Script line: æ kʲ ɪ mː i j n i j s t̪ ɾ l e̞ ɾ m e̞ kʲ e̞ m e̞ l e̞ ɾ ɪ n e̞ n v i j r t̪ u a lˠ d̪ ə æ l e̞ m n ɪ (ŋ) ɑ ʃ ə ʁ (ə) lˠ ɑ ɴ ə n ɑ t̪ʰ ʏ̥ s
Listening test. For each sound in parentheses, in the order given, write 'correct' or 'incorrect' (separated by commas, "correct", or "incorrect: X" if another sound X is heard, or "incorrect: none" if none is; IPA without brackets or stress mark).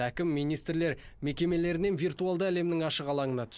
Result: correct, incorrect: ɑ